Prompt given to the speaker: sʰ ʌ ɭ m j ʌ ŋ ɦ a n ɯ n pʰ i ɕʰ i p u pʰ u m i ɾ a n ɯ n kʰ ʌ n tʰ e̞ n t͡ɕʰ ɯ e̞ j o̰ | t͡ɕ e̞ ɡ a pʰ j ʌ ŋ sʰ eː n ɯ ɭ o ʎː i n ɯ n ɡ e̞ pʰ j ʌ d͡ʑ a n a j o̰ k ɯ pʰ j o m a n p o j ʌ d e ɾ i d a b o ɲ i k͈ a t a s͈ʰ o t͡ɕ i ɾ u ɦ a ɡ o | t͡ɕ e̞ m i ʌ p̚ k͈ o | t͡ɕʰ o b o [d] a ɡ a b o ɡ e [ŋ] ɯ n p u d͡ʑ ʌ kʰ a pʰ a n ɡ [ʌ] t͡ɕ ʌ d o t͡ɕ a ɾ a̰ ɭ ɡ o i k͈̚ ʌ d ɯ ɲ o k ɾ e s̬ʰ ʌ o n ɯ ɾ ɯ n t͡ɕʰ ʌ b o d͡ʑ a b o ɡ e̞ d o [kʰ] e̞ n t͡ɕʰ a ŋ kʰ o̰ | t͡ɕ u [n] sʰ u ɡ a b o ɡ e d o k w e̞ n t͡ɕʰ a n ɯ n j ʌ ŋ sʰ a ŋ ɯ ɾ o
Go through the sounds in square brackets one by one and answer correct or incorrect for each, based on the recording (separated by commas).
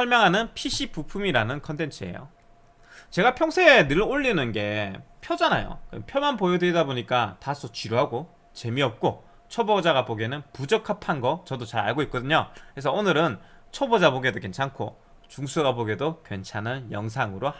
incorrect, incorrect, correct, incorrect, incorrect